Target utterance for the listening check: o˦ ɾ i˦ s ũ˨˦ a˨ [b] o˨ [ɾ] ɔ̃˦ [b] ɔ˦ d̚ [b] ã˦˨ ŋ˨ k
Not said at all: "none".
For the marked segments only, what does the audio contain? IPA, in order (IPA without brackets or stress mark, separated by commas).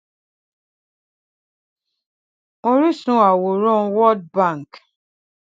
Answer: w, ɾ, w, b